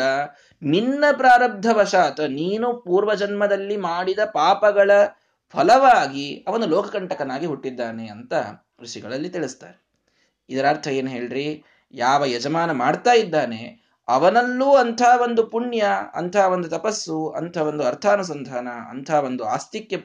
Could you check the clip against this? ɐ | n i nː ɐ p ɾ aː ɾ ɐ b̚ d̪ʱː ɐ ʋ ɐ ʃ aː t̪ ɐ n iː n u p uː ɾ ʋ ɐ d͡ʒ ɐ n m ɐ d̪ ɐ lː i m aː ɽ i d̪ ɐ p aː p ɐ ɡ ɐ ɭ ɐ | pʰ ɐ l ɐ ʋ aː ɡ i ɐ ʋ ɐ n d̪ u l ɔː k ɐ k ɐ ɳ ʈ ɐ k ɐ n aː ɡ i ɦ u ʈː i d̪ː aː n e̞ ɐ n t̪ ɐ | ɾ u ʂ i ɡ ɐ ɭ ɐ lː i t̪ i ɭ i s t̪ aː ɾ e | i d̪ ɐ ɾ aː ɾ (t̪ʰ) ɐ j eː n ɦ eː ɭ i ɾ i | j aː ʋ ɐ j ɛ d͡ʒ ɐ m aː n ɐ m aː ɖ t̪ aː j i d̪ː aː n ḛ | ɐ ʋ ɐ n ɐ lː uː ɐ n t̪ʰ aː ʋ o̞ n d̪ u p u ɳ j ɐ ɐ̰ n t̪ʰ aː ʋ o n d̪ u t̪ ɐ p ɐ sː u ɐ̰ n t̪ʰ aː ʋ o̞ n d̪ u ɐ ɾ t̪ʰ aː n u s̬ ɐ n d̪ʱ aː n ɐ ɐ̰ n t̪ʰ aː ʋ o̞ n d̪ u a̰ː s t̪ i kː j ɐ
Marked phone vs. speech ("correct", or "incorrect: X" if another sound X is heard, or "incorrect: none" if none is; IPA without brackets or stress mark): correct